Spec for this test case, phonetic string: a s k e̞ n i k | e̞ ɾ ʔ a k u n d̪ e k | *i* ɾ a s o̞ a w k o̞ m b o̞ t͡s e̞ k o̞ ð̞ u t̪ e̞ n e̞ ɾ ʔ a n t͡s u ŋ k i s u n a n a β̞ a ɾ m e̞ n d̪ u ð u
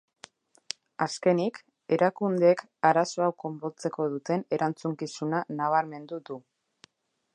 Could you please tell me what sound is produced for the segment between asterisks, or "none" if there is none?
a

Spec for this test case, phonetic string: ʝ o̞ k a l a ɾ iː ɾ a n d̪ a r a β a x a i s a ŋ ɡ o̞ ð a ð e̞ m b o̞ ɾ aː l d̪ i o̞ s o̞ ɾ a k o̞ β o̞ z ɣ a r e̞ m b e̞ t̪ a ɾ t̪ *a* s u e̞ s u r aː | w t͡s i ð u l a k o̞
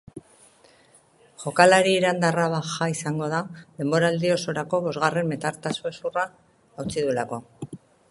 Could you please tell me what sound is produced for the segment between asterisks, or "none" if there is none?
a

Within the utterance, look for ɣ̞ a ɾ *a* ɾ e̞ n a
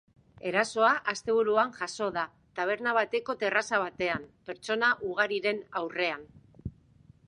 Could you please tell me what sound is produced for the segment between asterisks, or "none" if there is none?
i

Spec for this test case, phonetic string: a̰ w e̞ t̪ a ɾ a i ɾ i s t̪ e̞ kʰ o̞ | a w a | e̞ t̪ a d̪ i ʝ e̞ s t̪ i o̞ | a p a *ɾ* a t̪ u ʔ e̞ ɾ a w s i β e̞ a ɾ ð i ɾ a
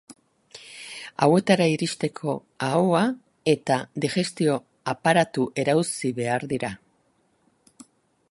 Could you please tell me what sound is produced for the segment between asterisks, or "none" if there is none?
ɾ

